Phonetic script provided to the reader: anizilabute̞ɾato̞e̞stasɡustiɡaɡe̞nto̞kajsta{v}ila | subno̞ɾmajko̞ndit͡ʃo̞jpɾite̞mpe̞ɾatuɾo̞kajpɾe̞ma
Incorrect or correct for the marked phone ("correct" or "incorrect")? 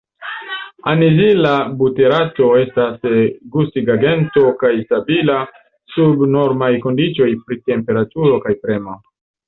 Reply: incorrect